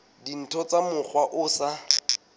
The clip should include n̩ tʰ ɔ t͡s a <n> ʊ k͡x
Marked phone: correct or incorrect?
incorrect